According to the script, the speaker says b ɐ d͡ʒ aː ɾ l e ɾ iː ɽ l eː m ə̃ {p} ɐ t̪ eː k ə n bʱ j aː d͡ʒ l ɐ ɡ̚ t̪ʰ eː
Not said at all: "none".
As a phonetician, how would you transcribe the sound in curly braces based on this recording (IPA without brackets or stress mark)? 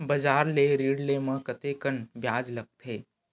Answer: k